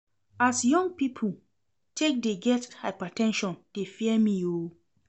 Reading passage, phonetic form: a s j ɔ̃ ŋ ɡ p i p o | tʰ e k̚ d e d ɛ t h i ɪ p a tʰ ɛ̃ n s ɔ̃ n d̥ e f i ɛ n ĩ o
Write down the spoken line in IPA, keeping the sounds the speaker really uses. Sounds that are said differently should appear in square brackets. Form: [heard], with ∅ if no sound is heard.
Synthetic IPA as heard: a s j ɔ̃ ŋ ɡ p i [pʰ] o | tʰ e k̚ d e [ɡ] ɛ t h [a] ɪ p a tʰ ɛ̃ n [ʃ] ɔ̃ n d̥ e f i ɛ [m] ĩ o